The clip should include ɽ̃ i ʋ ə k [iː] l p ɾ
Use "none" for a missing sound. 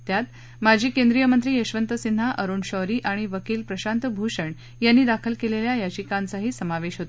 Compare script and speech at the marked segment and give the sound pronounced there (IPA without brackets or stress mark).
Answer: iː